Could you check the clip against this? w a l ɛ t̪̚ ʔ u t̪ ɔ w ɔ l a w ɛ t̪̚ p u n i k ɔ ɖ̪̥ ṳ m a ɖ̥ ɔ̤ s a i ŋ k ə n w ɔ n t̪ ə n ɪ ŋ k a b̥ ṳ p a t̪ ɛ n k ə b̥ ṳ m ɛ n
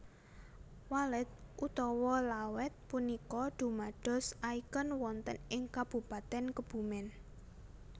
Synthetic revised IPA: w a l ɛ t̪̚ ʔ u t̪ ɔ w ɔ l a w ɛ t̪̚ p u n i k ɔ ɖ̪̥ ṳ m a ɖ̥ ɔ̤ s a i k ə n w ɔ n t̪ ə n ɪ ŋ k a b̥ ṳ p a t̪ ɛ n k ə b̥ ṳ m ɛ n